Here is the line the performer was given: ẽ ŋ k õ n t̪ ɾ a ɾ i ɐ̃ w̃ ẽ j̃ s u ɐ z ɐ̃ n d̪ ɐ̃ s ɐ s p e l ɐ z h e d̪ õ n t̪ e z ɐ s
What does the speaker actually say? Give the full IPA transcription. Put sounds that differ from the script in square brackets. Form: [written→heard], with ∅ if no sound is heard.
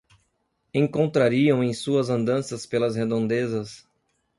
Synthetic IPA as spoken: ẽ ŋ k õ n t̪ ɾ a ɾ i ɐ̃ w̃ ẽ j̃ s u ɐ z ɐ̃ n d̪ ɐ̃ s ɐ s p e l ɐ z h e d̪ õ n [t̪→d̪] e z ɐ s